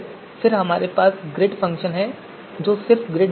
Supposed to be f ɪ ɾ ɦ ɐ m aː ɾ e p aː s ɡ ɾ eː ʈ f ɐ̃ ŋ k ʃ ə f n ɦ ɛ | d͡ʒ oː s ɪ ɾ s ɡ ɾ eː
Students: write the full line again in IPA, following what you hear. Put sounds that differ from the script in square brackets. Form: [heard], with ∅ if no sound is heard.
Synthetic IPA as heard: f ɪ ɾ ɦ ɐ m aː ɾ e p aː s ɡ ɾ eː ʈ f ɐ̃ ŋ k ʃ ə [∅] n ɦ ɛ | d͡ʒ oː s ɪ ɾ [f] ɡ ɾ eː